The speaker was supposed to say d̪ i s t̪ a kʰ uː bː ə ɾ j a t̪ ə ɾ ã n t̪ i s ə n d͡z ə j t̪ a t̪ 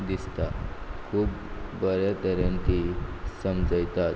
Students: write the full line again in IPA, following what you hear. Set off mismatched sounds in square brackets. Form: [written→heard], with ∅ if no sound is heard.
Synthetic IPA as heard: d̪ i s t̪ a kʰ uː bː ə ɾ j a t̪ ə ɾ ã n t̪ i s ə [n→m] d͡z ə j t̪ a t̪